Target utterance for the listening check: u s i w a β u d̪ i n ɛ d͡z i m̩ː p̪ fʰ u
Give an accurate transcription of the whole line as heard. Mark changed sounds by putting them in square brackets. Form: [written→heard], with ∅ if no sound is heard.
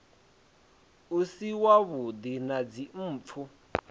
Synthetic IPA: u s i w a β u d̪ i n [ɛ→a] d͡z i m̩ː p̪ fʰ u

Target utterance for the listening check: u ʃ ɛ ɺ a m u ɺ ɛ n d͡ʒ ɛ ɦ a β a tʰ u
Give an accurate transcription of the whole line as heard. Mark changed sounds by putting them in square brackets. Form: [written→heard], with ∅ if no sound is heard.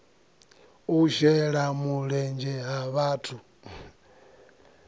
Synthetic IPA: u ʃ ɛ ɺ a m u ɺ ɛ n d͡ʒ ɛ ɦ a β a tʰ u

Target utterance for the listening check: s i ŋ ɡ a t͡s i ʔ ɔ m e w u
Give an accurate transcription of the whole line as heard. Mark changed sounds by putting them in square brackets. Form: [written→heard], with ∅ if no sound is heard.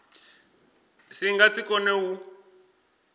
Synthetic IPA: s i ŋ ɡ a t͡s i [ʔ→k] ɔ [m→n] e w u

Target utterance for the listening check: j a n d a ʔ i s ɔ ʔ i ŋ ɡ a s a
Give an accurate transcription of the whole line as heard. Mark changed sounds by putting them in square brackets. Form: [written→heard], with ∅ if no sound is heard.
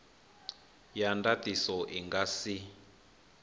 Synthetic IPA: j a n d a [ʔ→t] i s ɔ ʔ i ŋ ɡ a s [a→i]

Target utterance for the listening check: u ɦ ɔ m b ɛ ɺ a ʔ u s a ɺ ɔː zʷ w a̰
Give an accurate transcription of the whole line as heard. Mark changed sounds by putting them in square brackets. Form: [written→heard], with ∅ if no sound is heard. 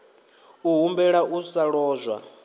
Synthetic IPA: u ɦ [ɔ→u] m b ɛ ɺ a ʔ u s a ɺ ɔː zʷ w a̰

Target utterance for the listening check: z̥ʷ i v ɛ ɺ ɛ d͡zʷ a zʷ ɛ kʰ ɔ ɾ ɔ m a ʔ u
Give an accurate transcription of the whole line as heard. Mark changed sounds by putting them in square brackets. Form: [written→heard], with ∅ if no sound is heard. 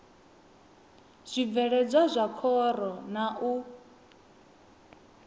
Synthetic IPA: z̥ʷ i v ɛ ɺ ɛ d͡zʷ a zʷ [ɛ→a] kʰ ɔ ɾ ɔ [m→n] a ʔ u

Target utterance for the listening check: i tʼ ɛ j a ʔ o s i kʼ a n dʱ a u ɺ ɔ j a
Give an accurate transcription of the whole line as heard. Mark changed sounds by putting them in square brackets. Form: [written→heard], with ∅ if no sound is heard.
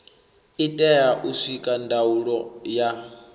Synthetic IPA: i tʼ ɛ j a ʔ [o→u] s i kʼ a n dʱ a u ɺ ɔ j a

